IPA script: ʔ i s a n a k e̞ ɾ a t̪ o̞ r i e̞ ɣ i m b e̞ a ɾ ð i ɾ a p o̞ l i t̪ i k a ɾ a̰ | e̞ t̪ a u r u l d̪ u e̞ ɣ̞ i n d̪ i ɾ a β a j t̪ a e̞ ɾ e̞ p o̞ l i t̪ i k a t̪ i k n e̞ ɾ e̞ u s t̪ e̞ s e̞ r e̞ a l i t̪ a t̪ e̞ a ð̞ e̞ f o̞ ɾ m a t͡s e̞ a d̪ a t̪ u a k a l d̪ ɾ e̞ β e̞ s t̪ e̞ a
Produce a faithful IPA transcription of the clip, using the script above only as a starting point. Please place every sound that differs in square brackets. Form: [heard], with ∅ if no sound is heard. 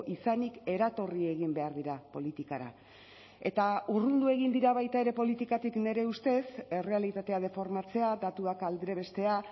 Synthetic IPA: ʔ i s a n [i] k e̞ ɾ a t̪ o̞ r i e̞ ɣ i m b e̞ a ɾ ð i ɾ a p o̞ l i t̪ i k a ɾ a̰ | e̞ t̪ a u r u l d̪ u e̞ ɣ̞ i n d̪ i ɾ a β a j t̪ a e̞ ɾ e̞ p o̞ l i t̪ i k a t̪ i k n e̞ ɾ e̞ u s t̪ e̞ s e̞ r e̞ a l i t̪ a t̪ e̞ a ð̞ e̞ f o̞ ɾ m a t͡s e̞ a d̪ a t̪ u a k a l d̪ ɾ e̞ β e̞ s t̪ e̞ a